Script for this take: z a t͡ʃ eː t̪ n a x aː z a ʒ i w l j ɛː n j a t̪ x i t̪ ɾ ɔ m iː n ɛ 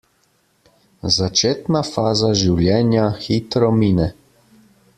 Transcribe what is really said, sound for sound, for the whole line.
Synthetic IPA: z a t͡ʃ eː t̪ n a f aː z a ʒ i w l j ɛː n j a x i t̪ ɾ ɔ m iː n ɛ